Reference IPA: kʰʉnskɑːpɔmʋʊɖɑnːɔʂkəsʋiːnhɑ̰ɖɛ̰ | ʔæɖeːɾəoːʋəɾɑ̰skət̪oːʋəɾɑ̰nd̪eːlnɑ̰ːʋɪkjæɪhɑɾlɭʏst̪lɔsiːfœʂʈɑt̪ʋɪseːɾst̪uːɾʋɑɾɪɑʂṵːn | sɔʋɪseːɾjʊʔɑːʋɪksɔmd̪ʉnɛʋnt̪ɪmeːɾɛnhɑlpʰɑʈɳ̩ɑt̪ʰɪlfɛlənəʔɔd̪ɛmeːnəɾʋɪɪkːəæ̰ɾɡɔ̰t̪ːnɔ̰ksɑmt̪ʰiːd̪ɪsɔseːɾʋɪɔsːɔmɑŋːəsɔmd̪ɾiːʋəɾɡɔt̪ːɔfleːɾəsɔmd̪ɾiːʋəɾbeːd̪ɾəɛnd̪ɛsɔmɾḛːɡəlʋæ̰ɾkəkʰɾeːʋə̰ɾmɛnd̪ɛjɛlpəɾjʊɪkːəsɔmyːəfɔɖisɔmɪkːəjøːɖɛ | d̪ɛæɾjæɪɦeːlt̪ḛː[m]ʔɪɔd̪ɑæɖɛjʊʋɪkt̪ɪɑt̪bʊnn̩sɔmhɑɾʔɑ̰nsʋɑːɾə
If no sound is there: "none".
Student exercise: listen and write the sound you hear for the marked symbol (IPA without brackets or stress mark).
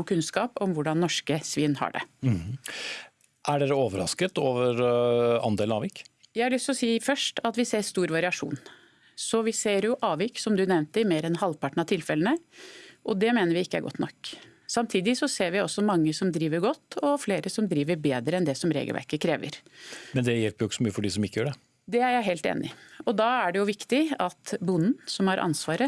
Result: n